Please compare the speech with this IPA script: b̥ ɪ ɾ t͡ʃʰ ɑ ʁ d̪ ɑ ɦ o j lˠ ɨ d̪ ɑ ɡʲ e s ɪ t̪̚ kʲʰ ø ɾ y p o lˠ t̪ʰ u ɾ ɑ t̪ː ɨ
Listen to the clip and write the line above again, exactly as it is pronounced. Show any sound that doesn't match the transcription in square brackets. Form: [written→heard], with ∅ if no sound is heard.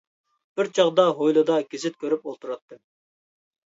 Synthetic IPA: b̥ ɪ ɾ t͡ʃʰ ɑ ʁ d̪ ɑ ɦ o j lˠ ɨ d̪ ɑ ɡʲ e [s→z] ɪ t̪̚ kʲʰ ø ɾ y p o lˠ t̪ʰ u ɾ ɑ t̪ː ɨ